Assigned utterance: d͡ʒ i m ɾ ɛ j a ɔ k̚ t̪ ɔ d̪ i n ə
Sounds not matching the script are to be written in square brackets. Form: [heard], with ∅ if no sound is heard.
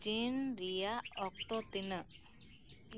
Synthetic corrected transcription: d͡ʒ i [n] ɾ [i] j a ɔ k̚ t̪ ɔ [t̪] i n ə